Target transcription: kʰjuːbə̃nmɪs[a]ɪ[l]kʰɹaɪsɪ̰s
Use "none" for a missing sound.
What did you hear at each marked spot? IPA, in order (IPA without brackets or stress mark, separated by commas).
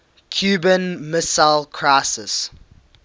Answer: a, l